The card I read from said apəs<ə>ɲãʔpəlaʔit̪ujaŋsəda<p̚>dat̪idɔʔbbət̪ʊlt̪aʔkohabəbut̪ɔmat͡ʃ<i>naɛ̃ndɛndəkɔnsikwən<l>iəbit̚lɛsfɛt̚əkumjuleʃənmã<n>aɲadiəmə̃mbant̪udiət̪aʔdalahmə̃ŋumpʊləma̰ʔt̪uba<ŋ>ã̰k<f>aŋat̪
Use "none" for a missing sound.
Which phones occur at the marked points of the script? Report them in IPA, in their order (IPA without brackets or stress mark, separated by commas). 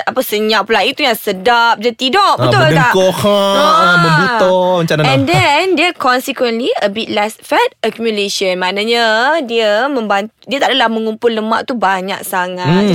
ə, p̚, a, l, n, ɲ, s